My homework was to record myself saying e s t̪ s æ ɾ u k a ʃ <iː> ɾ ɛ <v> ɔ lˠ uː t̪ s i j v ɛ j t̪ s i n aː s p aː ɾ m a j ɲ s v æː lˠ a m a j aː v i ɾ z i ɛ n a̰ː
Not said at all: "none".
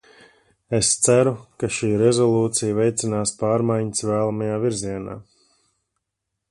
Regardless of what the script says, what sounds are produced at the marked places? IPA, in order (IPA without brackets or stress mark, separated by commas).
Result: iː, z